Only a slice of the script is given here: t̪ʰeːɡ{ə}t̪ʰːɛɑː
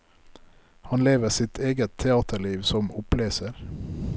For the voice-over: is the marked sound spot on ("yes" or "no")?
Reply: yes